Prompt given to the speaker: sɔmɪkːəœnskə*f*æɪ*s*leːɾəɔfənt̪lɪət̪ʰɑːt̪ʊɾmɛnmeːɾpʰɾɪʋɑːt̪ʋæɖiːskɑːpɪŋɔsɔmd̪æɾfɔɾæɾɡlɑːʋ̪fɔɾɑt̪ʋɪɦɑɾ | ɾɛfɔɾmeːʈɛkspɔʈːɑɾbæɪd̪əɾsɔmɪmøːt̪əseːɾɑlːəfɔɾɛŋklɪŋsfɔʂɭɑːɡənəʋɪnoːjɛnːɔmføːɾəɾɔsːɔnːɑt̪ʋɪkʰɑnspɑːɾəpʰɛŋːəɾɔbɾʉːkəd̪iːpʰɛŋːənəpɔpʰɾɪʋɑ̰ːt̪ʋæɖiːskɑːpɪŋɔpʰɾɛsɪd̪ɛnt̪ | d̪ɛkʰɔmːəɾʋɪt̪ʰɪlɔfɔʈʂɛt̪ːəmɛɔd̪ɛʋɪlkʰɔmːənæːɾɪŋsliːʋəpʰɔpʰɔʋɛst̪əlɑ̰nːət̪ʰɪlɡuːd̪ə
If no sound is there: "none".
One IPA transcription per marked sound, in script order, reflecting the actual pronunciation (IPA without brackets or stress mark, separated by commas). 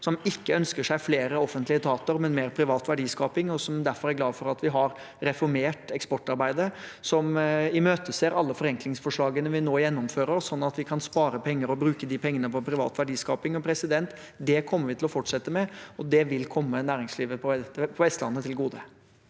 ʂ, f